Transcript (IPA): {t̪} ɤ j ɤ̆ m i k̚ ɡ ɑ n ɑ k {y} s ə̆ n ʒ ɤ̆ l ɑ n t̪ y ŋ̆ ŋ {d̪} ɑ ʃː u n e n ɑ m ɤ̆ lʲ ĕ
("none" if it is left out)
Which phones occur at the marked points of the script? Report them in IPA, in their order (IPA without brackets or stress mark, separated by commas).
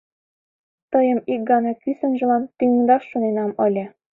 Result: t̪, y, d̪